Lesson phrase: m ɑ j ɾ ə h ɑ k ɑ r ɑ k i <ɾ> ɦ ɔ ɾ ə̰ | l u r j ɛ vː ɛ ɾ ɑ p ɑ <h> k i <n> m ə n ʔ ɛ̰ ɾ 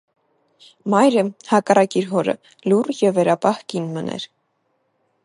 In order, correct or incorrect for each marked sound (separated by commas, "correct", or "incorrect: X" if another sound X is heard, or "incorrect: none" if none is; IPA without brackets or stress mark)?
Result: correct, correct, correct